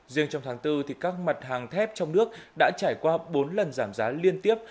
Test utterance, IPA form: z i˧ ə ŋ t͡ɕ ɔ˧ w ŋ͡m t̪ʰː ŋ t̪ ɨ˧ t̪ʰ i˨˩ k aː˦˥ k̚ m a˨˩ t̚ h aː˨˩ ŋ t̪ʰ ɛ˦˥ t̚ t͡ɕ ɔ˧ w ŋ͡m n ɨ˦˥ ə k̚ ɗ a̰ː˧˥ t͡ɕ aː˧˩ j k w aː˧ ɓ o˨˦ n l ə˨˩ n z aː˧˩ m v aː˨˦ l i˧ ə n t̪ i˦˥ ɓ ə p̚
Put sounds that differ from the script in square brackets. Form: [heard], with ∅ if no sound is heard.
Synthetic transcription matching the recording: z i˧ ə ŋ t͡ɕ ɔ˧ w ŋ͡m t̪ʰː ŋ t̪ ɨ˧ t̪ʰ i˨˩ k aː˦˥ k̚ m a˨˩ t̚ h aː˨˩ ŋ t̪ʰ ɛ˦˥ [p̚] t͡ɕ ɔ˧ w ŋ͡m n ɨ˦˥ ə k̚ ɗ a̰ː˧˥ t͡ɕ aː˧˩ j k w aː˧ ɓ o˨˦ n l ə˨˩ n z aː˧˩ m [z] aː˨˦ l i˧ ə n t̪ i˦˥ [∅] ə p̚